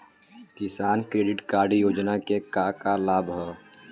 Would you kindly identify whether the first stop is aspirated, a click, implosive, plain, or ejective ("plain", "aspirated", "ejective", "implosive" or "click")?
plain